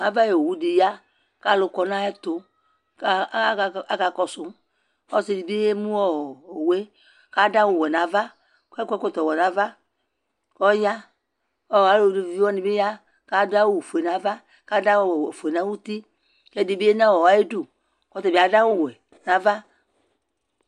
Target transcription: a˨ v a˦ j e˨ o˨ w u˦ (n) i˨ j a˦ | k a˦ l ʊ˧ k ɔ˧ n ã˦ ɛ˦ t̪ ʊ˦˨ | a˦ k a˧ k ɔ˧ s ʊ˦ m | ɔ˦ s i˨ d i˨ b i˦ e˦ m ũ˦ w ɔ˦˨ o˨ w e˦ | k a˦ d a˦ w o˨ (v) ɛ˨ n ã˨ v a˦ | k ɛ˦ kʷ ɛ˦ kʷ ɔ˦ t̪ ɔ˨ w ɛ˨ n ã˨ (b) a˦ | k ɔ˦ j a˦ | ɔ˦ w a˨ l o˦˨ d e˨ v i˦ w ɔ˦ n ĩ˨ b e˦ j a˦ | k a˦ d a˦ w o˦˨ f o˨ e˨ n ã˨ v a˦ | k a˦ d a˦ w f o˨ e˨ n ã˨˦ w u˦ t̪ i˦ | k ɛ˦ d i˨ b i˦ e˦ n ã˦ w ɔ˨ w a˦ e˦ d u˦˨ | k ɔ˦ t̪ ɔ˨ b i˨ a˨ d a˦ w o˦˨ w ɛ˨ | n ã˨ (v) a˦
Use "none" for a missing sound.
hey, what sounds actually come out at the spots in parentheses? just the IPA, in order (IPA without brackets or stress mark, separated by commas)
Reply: d, w, v, v